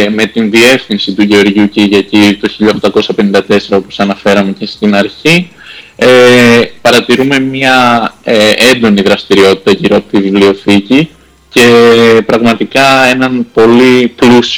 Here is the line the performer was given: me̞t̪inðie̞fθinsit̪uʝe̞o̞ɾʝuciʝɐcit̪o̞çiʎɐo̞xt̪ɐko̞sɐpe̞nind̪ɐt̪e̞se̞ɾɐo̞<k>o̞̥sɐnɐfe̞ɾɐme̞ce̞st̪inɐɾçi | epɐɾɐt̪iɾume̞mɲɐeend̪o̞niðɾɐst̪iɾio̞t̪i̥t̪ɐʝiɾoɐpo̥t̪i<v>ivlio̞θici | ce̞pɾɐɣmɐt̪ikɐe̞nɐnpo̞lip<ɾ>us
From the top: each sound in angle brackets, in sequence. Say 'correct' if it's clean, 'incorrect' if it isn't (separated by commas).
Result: incorrect, correct, incorrect